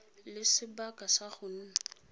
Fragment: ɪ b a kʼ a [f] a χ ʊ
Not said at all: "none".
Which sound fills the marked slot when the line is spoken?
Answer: s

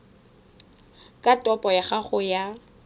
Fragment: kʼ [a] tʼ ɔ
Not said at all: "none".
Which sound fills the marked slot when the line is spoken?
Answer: a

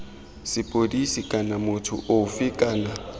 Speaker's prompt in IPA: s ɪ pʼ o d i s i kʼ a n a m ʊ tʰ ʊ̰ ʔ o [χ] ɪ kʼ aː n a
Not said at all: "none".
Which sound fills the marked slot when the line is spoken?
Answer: f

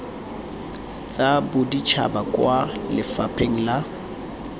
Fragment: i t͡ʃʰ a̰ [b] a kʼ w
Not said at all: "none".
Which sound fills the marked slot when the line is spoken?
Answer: b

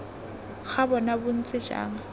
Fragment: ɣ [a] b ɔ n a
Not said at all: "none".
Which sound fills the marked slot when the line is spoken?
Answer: a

